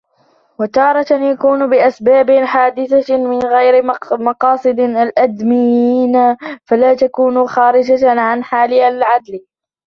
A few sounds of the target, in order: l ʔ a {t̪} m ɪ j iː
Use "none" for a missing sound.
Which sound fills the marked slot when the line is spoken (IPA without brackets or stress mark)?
d̪